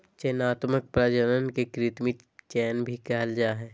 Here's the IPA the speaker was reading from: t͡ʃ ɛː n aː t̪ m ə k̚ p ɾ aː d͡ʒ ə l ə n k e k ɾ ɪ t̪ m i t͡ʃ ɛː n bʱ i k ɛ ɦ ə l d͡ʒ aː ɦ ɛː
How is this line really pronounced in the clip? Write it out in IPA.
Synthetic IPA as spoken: t͡ʃ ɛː n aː t̪ m ə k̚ p ɾ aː d͡ʒ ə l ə n k e k ɾ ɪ t̪ m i t͡ʃ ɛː n bʱ i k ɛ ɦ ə l d͡ʒ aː ɦ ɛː